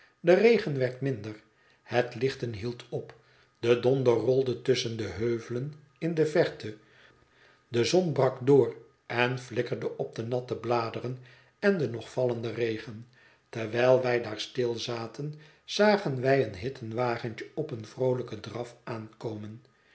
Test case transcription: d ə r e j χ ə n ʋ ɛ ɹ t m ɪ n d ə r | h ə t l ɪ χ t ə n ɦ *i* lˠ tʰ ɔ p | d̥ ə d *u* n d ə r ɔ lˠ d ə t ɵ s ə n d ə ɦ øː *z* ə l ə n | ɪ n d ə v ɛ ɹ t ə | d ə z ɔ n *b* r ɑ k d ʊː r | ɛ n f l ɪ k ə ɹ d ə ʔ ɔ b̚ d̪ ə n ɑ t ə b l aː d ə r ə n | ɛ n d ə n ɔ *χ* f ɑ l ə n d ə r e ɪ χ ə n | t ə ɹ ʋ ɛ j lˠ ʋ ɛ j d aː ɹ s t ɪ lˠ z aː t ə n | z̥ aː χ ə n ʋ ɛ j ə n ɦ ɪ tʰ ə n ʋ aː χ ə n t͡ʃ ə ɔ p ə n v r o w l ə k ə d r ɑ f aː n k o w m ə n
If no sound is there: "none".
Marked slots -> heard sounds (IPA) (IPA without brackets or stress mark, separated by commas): i, ɔ, v, b, χ